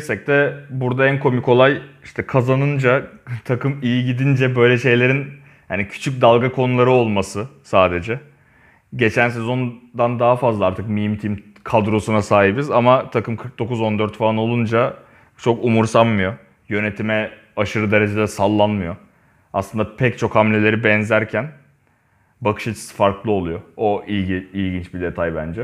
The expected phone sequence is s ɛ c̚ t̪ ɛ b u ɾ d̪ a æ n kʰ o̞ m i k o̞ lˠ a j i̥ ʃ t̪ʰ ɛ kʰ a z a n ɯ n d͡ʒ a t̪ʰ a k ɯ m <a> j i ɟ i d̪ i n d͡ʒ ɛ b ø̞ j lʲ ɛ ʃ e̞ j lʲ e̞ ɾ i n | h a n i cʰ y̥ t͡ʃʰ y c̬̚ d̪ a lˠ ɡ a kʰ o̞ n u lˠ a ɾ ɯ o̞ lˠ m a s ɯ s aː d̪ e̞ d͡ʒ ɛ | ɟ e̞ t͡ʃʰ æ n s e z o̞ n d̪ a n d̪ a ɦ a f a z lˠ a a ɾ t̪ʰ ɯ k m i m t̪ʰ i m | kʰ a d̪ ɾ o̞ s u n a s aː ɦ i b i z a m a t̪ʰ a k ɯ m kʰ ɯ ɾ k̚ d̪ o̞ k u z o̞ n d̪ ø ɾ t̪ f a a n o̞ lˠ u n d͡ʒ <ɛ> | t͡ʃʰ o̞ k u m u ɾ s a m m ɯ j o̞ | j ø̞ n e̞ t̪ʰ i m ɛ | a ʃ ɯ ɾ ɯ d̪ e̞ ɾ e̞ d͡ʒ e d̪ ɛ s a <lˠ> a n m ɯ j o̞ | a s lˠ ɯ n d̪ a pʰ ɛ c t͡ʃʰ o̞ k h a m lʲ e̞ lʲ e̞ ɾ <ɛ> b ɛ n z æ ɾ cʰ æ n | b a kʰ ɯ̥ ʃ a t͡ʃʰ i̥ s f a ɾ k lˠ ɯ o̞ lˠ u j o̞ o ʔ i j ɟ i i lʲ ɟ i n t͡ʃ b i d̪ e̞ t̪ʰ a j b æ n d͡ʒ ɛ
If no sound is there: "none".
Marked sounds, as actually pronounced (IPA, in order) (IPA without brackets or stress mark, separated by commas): i, a, lˠː, i